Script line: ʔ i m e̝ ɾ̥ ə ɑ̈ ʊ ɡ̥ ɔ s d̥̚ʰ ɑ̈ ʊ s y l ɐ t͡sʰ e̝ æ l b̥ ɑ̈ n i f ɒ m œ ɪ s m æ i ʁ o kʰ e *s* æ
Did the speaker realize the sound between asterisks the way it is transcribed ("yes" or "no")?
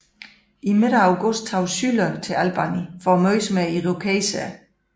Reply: yes